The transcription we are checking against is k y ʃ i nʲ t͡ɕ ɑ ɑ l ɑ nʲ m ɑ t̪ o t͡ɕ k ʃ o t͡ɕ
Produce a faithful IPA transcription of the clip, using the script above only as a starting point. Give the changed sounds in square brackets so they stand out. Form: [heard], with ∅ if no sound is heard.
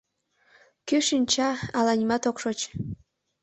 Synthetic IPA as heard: k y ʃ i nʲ t͡ɕ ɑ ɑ l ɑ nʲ m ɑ t̪ o [∅] k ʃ o t͡ɕ